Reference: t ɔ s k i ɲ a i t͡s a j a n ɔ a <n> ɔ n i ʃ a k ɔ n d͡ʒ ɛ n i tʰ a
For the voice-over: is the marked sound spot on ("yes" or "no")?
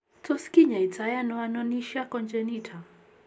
yes